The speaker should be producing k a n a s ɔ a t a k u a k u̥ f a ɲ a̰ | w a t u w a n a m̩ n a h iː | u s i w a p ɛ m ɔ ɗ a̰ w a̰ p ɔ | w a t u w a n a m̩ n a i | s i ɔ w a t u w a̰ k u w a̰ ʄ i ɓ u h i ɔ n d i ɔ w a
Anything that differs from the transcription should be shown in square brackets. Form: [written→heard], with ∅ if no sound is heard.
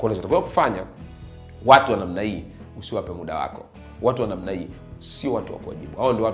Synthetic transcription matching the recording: k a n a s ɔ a t a k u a k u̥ f a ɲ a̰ | w a t u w a n a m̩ n a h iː | u s i w a p ɛ m [ɔ→u] ɗ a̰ w a̰ [p→k] ɔ | w a t u w a n a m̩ n a i | s i ɔ w a t u w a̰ k u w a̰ ʄ i ɓ u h [i→a] ɔ n d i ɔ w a